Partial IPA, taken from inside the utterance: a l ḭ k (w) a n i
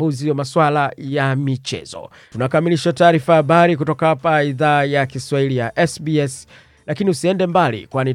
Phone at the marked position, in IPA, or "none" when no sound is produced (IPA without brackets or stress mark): w